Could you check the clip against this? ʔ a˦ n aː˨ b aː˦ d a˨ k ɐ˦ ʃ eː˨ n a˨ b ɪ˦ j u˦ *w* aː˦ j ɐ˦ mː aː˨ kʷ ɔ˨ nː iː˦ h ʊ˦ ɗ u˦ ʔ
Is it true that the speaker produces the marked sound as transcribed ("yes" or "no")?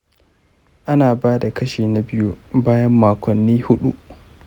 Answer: no